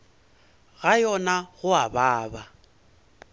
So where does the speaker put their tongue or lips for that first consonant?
velum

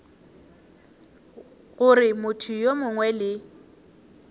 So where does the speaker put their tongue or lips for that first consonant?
velum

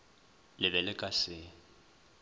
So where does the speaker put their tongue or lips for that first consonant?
tongue tip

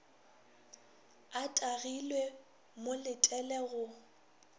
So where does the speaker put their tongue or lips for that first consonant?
tongue tip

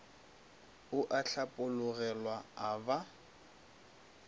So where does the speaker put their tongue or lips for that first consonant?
throat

